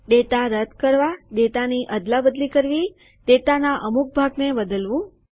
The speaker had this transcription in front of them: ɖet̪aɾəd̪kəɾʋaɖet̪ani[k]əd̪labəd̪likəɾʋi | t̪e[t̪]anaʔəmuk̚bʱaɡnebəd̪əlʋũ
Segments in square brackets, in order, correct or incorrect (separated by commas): incorrect, correct